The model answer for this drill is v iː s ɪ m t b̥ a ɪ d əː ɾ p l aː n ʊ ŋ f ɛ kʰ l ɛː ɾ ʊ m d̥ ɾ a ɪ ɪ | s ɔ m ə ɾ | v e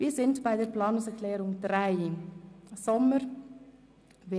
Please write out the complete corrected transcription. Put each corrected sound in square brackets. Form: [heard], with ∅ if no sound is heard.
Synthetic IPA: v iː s ɪ [n] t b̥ a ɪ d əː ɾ p l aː n ʊ ŋ [s] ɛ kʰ l ɛː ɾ ʊ [ŋ] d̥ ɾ a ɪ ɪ | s ɔ m ə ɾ | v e